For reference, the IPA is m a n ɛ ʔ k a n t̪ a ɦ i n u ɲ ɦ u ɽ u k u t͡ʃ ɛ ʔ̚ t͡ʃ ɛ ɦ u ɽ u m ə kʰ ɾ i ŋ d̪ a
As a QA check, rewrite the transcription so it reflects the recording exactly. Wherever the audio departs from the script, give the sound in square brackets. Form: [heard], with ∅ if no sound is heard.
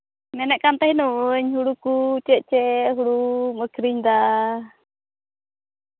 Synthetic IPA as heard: m [ɛ] n ɛ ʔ k a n t̪ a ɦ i n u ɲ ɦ u ɽ u k u t͡ʃ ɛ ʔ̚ t͡ʃ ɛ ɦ u ɽ u m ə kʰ ɾ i [ɲ] d̪ a